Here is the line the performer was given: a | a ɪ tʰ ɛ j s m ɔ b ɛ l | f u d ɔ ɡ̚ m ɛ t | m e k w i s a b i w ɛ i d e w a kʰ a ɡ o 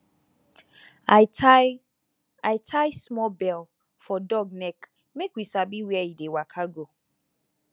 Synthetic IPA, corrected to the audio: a | a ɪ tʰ a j s m ɔ b ɛ l | f ɔ d ɔ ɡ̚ n ɛ k | m e k w i s a b i w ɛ i d e w a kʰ a ɡ o